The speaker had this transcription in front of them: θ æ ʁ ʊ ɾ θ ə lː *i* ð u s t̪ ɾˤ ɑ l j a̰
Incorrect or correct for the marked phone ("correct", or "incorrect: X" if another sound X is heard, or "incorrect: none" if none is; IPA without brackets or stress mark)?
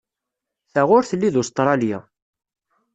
correct